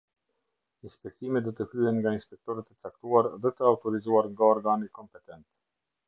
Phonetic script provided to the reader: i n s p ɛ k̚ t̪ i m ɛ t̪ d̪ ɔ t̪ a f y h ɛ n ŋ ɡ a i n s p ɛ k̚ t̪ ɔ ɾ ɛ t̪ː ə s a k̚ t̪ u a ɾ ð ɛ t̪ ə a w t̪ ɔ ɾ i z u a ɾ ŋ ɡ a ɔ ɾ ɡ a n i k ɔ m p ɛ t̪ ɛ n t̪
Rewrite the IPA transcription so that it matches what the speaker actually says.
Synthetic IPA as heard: i n s p ɛ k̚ t̪ i m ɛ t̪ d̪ ɔ t̪ ə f y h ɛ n ŋ ɡ a i n s p ɛ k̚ t̪ ɔ ɾ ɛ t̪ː ə t͡s a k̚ t̪ u a ɾ ð ɛ t̪ ə a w t̪ ɔ ɾ i z u a ɾ ŋ ɡ a ɔ ɾ ɡ a n i k ɔ m p ɛ t̪ ɛ n t̪